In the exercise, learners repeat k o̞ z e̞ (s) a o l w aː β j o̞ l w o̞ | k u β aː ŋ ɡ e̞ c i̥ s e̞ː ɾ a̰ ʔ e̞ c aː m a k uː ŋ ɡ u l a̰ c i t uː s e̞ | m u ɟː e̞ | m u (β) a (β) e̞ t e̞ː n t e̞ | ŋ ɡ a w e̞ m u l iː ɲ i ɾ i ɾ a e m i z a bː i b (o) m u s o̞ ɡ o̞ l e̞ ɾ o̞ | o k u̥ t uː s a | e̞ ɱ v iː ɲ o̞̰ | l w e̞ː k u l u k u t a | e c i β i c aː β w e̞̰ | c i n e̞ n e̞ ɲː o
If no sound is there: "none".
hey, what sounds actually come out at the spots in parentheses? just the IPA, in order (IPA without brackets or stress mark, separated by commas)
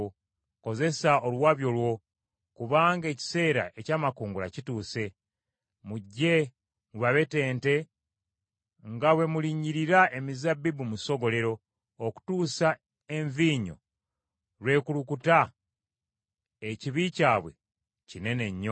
s, β, β, u